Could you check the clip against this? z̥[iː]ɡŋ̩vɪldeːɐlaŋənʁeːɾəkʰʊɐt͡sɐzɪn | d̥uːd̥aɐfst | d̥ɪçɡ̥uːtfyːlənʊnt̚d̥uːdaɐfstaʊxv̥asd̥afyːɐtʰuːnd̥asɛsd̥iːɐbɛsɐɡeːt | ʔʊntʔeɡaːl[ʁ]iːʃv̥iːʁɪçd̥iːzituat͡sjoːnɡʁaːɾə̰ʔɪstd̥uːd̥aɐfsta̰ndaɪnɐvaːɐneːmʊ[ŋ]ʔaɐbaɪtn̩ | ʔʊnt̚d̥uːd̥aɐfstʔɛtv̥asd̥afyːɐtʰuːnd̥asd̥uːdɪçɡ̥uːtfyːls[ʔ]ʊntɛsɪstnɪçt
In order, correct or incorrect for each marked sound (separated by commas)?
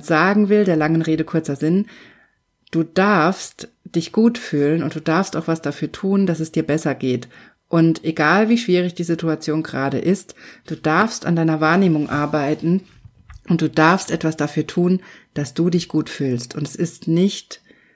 incorrect, incorrect, correct, incorrect